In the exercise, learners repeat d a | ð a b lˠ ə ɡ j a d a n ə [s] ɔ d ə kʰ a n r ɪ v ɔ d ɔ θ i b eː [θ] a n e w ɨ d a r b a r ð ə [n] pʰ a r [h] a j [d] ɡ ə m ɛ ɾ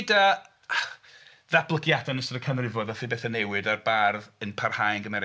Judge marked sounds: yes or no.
yes, yes, yes, yes, no

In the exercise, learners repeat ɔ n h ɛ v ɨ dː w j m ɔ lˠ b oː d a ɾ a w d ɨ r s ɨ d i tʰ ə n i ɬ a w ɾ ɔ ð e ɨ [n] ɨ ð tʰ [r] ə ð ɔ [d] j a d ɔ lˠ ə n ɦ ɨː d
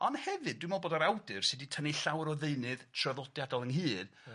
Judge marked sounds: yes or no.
yes, yes, yes

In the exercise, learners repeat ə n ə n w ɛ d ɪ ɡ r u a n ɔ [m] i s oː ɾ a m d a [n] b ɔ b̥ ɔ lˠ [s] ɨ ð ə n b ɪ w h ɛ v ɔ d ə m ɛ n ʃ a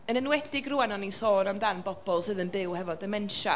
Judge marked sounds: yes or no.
no, yes, yes

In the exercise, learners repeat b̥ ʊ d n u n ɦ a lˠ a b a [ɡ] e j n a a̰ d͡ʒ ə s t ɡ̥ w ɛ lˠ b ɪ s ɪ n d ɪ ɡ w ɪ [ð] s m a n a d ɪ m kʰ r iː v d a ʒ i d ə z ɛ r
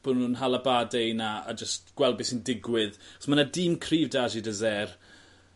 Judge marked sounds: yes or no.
no, yes

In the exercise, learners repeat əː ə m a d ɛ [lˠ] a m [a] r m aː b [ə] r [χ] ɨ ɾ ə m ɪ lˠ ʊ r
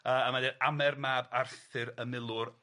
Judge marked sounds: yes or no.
no, no, no, no

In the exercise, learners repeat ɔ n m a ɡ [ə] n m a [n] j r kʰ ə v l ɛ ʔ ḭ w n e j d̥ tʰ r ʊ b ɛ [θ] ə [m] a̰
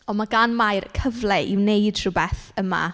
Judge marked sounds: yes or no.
no, no, yes, yes

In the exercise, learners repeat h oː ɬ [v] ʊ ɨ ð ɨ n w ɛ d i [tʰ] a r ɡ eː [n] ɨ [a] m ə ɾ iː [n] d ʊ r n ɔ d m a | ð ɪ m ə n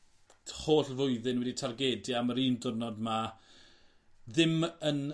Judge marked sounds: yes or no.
yes, yes, no, yes, yes

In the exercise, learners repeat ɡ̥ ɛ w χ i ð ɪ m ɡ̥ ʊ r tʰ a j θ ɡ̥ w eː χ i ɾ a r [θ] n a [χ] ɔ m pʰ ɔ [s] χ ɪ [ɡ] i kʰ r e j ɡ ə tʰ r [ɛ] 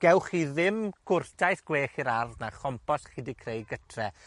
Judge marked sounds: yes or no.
no, yes, yes, no, yes

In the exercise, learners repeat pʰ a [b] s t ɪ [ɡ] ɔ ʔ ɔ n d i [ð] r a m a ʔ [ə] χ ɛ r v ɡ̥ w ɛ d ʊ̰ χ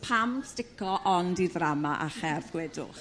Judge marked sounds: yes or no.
no, no, yes, no

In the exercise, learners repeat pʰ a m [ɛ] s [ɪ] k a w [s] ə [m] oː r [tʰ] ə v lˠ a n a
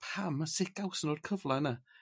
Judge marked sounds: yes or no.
no, yes, yes, no, no

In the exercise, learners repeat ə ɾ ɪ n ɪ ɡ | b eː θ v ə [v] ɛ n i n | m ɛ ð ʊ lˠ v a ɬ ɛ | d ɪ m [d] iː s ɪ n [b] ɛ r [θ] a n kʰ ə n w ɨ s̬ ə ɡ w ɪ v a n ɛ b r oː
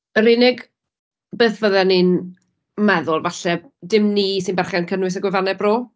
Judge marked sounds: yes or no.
no, no, yes, no

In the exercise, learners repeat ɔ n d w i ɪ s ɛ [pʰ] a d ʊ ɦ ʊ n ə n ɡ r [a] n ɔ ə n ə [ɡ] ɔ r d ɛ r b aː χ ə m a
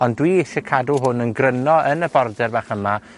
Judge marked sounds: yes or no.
no, no, no

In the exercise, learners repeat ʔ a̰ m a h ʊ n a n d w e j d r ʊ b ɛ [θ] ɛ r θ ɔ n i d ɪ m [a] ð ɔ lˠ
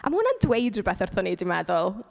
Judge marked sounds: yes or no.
yes, no

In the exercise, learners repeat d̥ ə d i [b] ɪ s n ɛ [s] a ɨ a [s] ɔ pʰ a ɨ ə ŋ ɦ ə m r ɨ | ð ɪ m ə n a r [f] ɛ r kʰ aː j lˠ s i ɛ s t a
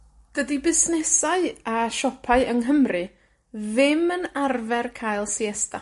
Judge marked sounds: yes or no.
yes, yes, no, no

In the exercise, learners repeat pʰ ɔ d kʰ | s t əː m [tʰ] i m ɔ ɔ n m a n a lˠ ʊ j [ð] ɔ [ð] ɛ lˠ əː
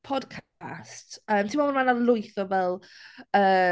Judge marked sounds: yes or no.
yes, no, no

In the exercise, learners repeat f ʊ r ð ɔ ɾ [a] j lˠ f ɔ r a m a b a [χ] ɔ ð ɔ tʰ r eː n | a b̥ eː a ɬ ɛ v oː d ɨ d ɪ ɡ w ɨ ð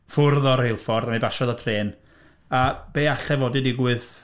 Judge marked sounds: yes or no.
no, no

